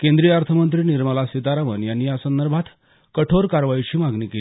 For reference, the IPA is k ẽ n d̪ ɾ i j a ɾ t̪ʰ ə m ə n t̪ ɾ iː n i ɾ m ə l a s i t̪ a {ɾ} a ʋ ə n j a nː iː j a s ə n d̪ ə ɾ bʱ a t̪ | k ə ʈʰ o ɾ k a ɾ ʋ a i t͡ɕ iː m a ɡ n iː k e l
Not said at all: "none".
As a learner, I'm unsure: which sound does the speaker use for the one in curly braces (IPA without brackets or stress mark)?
ɾ